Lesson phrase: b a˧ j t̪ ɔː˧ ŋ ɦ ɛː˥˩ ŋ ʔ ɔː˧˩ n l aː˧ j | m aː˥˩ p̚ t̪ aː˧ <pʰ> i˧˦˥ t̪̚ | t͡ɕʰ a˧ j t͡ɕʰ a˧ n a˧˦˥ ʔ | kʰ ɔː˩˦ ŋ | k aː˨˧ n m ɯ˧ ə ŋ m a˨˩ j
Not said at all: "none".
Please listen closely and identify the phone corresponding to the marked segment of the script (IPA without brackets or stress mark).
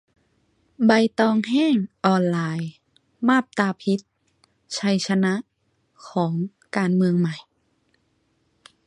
pʰ